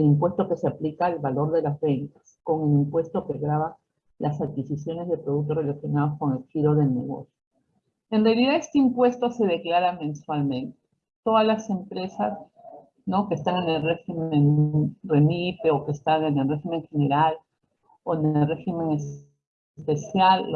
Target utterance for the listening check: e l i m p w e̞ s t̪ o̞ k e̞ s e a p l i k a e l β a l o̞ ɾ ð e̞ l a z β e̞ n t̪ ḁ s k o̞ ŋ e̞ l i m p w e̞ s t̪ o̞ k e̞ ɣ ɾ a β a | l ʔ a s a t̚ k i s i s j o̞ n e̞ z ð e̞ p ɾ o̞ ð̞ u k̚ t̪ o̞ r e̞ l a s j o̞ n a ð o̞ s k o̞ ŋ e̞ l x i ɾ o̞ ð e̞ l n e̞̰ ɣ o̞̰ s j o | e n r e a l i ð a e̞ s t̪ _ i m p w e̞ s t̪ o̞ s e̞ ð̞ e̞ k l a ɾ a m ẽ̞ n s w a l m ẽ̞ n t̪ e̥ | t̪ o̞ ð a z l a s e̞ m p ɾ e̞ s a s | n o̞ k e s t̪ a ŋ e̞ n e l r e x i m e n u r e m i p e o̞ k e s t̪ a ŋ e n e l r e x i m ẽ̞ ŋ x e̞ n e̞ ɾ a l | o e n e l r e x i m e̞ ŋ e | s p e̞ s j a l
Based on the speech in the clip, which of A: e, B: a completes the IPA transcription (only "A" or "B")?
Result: A